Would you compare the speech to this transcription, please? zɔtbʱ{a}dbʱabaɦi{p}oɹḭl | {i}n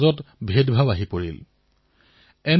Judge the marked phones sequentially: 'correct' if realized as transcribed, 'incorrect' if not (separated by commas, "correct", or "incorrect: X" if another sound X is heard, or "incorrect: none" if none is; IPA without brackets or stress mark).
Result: incorrect: e, correct, incorrect: ɛ